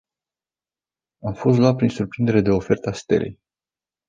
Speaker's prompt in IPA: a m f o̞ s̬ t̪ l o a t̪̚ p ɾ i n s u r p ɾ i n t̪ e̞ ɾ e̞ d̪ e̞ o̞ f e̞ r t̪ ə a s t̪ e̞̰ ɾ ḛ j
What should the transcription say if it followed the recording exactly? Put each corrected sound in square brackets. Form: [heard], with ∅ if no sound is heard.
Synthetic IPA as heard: a m f o̞ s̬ t̪ l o a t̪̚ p ɾ i n s u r p ɾ i n [d̪] e̞ ɾ e̞ d̪ e̞ o̞ f e̞ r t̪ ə a s t̪ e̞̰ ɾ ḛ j